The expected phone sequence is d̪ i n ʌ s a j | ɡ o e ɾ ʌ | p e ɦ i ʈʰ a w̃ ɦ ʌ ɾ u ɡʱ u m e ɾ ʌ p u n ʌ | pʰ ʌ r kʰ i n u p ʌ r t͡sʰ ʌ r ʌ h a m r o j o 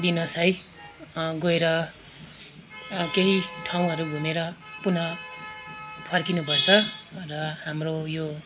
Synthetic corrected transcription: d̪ i n ʌ s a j | ɡ o e ɾ ʌ | k e ɦ i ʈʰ a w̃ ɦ ʌ ɾ u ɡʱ u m e ɾ ʌ p u n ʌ | pʰ ʌ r k i n u p ʌ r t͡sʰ ʌ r ʌ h a m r o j o